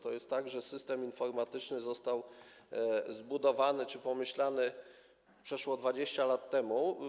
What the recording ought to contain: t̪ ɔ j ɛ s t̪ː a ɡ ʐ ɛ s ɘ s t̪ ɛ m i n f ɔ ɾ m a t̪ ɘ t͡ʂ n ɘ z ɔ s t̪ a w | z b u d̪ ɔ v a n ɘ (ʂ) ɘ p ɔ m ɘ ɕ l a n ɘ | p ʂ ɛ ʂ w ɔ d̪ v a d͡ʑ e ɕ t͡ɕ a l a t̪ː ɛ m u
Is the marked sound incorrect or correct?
incorrect